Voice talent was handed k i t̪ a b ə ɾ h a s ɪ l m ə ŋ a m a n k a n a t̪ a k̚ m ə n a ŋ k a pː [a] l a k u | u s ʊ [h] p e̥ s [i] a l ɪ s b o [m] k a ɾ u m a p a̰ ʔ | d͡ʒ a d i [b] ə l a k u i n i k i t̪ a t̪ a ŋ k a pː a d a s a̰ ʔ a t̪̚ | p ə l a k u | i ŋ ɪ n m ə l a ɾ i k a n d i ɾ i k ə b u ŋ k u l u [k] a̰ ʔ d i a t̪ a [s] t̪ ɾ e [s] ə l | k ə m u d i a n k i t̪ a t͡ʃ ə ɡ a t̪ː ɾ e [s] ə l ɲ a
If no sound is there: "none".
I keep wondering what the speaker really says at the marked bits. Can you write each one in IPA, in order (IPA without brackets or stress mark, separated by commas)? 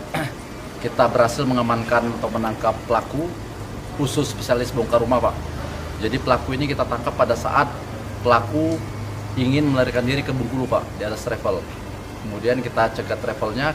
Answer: ə, s, i, ŋ, p, p, s, f, f